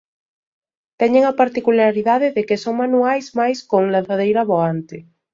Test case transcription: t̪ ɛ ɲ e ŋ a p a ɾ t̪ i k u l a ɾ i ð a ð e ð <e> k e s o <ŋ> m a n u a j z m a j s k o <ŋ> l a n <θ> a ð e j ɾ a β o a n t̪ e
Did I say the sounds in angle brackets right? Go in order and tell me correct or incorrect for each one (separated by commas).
correct, correct, correct, correct